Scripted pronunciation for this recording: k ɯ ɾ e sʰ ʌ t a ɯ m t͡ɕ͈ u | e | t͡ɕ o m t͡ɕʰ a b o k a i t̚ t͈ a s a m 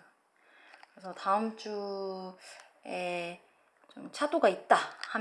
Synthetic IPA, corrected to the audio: k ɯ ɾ e sʰ ʌ t a ɯ m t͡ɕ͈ u | e | t͡ɕ o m t͡ɕʰ a d o ɡ a i t̚ t͈ a h a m